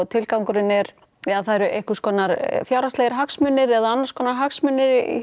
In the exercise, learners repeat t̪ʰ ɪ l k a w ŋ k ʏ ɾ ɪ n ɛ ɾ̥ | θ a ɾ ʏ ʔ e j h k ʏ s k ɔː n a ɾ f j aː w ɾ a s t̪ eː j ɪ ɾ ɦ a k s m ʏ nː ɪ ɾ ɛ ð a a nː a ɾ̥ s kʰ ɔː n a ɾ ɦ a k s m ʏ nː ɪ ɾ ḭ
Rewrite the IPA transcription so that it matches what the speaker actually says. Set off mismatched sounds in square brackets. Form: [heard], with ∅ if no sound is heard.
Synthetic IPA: t̪ʰ ɪ l k a w ŋ k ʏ ɾ ɪ n ɛ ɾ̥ | θ a ɾ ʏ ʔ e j h k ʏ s k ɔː n a ɾ f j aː w ɾ a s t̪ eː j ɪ ɾ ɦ a k s m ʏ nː ɪ ɾ ɛ ð a a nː a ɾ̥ s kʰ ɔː n a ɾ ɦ a k s m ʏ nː ɪ ɾ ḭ